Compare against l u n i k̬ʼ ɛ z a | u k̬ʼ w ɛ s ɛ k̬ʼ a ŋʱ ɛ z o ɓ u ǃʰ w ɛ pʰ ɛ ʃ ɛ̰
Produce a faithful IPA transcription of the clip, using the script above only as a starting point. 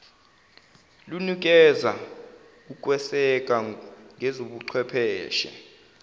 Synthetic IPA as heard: l u n i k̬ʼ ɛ z a | u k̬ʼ w ɛ s ɛ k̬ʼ a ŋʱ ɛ z o ɓ u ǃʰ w ɛ pʰ ɛː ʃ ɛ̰